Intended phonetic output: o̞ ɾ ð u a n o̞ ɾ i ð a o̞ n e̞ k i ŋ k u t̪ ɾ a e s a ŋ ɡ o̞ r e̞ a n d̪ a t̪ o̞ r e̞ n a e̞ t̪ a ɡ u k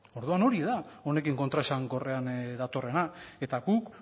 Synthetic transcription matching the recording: o̞ ɾ ð u a n o̞ ɾ i ð a o̞ n e̞ k i ŋ k o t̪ ɾ a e s a ŋ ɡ o̞ r e̞ a n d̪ a t̪ o̞ r e̞ n a e̞ t̪ a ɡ u k